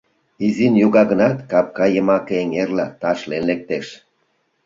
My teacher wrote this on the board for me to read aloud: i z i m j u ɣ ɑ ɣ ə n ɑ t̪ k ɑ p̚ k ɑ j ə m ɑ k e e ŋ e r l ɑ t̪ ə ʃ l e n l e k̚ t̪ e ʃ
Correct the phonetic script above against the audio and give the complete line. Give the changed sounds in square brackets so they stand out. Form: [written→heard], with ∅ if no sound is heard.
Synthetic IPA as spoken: i z i [m→n] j u ɣ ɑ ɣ ə n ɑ t̪ k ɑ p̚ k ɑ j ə m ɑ k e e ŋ e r l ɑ t̪ [ə→ɑ] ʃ l e n l e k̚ t̪ e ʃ